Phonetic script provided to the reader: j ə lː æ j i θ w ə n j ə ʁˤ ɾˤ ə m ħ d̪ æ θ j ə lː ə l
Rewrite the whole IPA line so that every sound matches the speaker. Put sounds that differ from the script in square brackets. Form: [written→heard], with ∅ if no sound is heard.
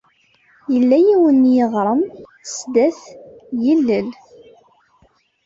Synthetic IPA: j ə lː æ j i [θ→∅] w ə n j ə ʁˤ ɾˤ ə m [ħ→s] d̪ æ θ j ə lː ə l